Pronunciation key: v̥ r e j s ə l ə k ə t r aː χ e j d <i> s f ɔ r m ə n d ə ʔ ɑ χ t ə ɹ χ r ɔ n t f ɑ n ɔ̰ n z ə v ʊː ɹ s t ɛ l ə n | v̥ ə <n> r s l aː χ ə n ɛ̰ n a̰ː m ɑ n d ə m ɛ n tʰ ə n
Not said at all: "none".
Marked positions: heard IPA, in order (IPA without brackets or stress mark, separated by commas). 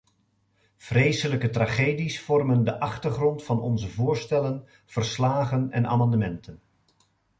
i, none